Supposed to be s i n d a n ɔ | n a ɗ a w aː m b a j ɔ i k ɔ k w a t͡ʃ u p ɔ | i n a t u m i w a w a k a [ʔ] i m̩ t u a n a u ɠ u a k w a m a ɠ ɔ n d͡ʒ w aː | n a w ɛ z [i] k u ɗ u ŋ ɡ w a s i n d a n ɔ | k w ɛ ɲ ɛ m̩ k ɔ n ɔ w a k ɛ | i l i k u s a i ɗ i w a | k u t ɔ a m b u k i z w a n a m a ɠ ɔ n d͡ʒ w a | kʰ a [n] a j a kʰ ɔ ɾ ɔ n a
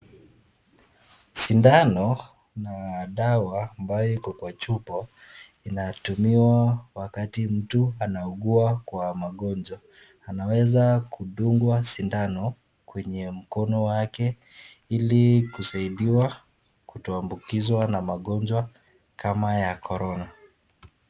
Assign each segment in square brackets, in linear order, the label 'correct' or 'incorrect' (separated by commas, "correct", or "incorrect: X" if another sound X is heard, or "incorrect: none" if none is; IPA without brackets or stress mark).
incorrect: t, incorrect: a, incorrect: m